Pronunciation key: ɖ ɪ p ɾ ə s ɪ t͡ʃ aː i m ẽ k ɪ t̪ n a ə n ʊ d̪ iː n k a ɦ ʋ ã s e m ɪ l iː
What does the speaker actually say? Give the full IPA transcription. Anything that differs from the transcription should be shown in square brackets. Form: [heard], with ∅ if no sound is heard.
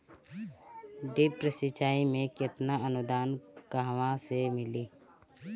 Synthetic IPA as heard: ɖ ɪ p ɾ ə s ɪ t͡ʃ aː i m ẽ k ɪ t̪ n a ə n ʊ d̪ [aː] n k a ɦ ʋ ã s e m ɪ l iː